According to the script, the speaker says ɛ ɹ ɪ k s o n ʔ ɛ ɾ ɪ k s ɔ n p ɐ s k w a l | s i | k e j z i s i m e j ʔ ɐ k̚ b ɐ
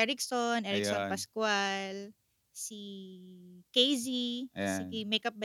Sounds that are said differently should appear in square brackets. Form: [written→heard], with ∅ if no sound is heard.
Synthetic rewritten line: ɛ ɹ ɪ k s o n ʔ ɛ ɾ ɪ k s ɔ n p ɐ s k w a l | s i | k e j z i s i m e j [ʔ→k] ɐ [k̚→p̚] b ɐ